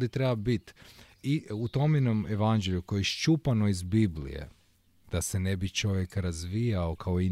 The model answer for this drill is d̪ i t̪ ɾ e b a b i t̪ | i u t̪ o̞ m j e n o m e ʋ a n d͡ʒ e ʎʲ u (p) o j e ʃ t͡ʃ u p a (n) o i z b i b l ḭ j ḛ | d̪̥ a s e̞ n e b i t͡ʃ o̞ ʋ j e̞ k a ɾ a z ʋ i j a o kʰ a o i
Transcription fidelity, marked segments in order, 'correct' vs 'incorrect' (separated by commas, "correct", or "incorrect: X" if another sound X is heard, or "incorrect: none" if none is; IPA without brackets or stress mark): incorrect: k, correct